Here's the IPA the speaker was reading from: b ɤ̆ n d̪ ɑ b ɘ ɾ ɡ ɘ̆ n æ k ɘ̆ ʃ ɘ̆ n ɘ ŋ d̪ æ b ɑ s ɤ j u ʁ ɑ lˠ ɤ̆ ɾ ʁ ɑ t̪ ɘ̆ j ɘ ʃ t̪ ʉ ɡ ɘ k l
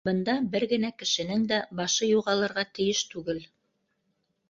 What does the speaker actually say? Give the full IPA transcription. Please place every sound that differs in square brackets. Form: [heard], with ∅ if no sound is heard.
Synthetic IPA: b ɤ̆ n d̪ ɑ b ɘ ɾ ɡ ɘ̆ n æ k ɘ̆ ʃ ɘ̆ n ɘ ŋ d̪ æ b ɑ [ʃ] ɤ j u ʁ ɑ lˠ ɤ̆ ɾ ʁ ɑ t̪ ɘ̆ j ɘ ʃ t̪ ʉ ɡ ɘ [∅] l